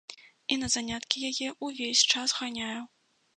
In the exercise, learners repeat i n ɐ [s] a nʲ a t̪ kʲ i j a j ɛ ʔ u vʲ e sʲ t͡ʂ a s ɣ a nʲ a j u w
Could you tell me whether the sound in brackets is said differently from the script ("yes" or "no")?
yes